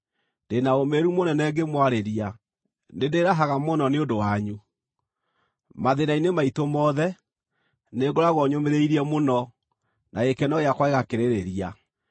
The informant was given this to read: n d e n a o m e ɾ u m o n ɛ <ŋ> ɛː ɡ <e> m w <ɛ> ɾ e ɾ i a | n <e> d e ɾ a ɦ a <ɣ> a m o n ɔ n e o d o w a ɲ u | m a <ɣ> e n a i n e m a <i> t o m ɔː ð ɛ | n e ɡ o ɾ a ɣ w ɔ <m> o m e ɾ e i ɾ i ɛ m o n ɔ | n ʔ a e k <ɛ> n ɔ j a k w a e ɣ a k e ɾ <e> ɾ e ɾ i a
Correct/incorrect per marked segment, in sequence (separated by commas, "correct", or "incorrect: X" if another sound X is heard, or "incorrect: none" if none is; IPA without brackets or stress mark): incorrect: n, correct, incorrect: a, correct, correct, incorrect: ð, correct, incorrect: ɲ, correct, correct